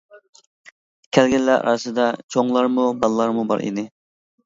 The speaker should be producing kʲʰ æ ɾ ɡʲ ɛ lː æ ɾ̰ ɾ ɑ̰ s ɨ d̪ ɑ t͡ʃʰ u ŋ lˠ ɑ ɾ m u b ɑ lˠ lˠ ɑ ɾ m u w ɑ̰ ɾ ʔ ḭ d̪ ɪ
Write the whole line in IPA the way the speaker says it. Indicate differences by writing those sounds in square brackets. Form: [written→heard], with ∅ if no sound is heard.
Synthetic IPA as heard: kʲʰ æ [ɾ→l] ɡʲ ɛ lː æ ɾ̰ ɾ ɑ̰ s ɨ d̪ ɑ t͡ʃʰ [u→o] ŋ lˠ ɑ ɾ m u b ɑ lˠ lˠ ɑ ɾ m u [w→b] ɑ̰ ɾ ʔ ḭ d̪ ɪ